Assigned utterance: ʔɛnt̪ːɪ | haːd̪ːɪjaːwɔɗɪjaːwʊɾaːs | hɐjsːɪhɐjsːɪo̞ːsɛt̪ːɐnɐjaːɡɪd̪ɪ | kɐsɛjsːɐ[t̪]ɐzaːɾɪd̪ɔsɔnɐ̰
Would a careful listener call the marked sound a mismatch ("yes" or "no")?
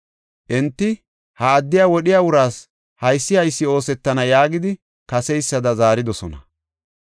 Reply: yes